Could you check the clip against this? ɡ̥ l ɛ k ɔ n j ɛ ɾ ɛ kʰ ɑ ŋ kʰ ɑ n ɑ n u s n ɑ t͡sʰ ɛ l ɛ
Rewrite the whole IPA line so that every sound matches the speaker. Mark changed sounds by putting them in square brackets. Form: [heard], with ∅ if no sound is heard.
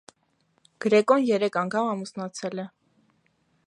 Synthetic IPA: ɡ̥ [ɾ] ɛ k ɔ n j ɛ ɾ ɛ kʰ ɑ ŋ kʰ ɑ [m] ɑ [m] u s n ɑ t͡sʰ ɛ l ɛ

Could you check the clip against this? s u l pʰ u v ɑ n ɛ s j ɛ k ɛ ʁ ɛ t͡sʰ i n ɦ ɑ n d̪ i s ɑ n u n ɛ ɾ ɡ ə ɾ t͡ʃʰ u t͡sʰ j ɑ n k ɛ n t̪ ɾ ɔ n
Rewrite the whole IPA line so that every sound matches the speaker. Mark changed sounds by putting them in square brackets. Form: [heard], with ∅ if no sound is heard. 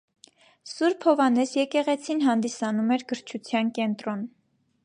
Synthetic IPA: s u [ɾ] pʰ [ɔ] v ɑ n ɛ s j ɛ k ɛ ʁ ɛ t͡sʰ i n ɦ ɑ n d̪ i s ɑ n u [m] ɛ ɾ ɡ ə ɾ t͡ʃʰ u t͡sʰ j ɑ n k ɛ n t̪ ɾ ɔ n

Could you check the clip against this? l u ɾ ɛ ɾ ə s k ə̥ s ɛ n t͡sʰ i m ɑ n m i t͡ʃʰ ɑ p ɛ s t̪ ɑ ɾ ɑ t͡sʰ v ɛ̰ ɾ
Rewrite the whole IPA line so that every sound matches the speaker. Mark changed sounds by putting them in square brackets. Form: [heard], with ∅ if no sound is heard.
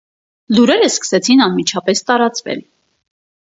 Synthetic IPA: l u ɾ ɛ ɾ ə s k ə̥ s ɛ [∅] t͡sʰ i [n] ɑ n m i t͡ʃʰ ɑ p ɛ s t̪ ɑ ɾ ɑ [t͡s] v ɛ̰ [l]

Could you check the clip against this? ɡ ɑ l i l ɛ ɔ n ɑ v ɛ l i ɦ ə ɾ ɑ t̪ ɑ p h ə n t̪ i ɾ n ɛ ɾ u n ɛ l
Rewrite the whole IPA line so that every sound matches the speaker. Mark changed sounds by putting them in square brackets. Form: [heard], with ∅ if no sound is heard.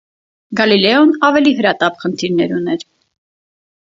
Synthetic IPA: ɡ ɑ l i l ɛ ɔ n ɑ v ɛ l i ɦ ə ɾ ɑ t̪ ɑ p [χ] ə n [t̪ʰ] i ɾ n ɛ ɾ u n ɛ [ɾ]

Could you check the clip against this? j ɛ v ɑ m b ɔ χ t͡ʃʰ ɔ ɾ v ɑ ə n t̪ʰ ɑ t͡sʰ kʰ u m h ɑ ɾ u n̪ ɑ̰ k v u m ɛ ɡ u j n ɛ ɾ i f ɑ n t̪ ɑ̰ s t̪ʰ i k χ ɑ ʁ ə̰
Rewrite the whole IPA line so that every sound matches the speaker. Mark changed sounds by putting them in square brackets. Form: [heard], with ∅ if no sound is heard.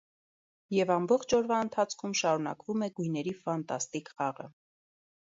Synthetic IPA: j ɛ v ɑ m b ɔ χ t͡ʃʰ ɔ ɾ v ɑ ə n t̪ʰ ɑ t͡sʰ kʰ u m [ʃ] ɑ ɾ u n̪ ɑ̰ k v u m ɛ ɡ u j n ɛ ɾ i f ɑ n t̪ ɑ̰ s [t̪] i k χ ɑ ʁ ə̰

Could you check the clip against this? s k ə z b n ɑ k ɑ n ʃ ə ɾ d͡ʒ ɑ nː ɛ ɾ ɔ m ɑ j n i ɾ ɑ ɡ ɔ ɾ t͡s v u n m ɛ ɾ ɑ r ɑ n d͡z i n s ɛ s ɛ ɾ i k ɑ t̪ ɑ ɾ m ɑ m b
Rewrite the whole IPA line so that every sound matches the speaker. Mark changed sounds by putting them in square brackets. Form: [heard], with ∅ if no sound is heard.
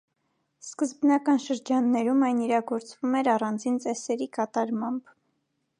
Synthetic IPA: s k ə z b n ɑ k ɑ n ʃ ə ɾ d͡ʒ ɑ nː ɛ ɾ [u] m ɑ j n i ɾ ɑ ɡ ɔ ɾ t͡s v u [∅] m ɛ ɾ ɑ r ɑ n d͡z i n [t͡s] ɛ s ɛ ɾ i k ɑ t̪ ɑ ɾ m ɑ m b

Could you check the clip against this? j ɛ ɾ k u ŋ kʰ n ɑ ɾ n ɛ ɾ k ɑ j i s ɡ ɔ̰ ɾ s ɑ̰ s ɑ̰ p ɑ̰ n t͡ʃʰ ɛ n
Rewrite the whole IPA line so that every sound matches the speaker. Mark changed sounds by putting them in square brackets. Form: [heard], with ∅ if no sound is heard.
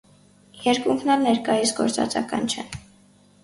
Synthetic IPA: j ɛ ɾ k u ŋ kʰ n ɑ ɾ n ɛ ɾ k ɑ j i s ɡ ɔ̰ ɾ [t͡s] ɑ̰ [t͡s] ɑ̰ [k] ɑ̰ n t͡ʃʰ ɛ n

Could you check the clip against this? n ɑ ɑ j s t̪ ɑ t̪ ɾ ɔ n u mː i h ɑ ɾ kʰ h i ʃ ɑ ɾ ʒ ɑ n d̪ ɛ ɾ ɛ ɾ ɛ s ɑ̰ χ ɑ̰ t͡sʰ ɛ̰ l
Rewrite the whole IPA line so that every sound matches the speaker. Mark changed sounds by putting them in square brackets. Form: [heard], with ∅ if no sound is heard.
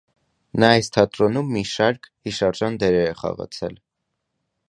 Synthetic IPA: n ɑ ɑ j s [t̪ʰ] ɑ t̪ ɾ ɔ n u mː i [ʃ] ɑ ɾ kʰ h i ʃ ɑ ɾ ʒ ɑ n d̪ ɛ ɾ ɛ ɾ ɛ [χ] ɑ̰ [ʁ] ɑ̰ t͡sʰ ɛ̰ l

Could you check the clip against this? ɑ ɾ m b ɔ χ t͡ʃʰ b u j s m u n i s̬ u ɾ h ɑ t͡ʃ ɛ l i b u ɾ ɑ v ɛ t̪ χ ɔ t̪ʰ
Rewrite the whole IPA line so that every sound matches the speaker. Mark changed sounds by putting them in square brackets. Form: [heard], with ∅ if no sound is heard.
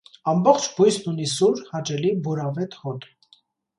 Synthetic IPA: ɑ [∅] m b ɔ χ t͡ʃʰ b u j s [n] u n i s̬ u ɾ h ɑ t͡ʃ ɛ l i b u ɾ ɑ v ɛ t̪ [h] ɔ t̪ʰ

